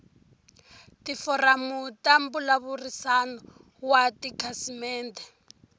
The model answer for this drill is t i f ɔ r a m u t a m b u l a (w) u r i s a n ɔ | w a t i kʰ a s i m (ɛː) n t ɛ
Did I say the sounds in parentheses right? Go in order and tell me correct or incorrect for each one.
incorrect, correct

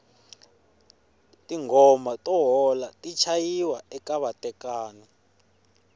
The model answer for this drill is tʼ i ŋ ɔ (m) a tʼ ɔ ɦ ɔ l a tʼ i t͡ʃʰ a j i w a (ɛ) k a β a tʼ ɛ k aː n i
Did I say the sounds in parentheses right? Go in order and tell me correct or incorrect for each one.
correct, correct

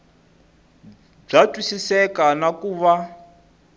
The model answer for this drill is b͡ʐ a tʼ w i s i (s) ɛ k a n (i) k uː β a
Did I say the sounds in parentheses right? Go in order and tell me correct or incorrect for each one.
correct, incorrect

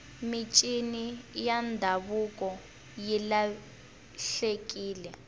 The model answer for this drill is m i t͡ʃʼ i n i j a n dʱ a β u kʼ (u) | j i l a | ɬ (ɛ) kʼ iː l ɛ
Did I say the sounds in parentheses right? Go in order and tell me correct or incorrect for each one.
incorrect, incorrect

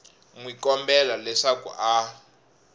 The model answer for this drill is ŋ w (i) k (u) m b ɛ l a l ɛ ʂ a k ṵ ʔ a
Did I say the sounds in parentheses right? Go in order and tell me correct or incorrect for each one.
correct, incorrect

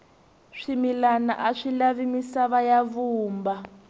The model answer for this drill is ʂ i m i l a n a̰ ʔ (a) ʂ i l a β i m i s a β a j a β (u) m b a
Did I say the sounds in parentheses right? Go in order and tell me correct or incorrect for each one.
correct, incorrect

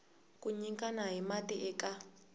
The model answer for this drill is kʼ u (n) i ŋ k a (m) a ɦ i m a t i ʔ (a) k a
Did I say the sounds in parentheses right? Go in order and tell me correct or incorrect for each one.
incorrect, incorrect, incorrect

